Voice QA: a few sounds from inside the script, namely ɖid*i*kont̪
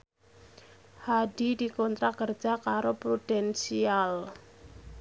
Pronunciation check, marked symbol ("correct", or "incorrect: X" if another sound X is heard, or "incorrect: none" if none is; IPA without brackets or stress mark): correct